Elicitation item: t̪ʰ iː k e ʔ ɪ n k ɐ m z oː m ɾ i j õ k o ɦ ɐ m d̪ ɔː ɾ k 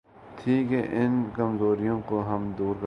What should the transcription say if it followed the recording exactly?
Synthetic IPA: t̪ʰ iː k e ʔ ɪ n k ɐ m z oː ɾ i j õ k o ɦ ɐ m d̪ uː ɾ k